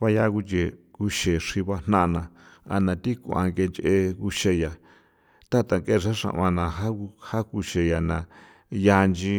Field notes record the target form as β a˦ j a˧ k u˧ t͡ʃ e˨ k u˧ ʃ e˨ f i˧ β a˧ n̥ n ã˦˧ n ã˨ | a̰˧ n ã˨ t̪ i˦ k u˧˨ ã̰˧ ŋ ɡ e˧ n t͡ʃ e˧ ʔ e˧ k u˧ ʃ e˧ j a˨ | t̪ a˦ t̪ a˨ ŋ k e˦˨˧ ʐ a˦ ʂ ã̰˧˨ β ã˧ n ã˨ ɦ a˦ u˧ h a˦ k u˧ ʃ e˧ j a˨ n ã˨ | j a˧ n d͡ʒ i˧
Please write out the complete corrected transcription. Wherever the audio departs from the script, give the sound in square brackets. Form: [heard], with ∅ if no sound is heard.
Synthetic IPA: β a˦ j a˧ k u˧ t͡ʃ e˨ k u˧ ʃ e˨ [ʂ] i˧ β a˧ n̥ n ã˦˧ n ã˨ | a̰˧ n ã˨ t̪ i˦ k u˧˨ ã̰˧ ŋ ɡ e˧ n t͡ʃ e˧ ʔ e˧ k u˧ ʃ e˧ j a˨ | t̪ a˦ t̪ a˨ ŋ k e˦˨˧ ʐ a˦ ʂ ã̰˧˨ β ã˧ n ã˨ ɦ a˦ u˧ h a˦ k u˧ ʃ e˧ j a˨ n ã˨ | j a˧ n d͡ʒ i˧